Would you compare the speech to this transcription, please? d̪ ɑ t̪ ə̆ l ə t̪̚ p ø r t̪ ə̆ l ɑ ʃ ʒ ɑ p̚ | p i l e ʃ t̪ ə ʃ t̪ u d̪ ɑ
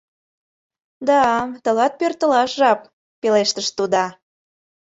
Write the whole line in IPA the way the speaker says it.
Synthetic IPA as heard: d̪ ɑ t̪ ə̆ l ɑ t̪̚ p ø r t̪ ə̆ l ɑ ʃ ʒ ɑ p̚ | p e l e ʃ t̪ ə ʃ t̪ u d̪ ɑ